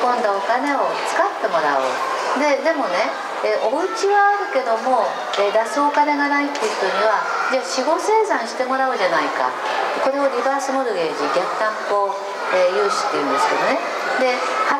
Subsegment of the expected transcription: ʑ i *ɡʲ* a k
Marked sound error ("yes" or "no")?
no